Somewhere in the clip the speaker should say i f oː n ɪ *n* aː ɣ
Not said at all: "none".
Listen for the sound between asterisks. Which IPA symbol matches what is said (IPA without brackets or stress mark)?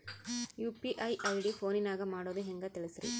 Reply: n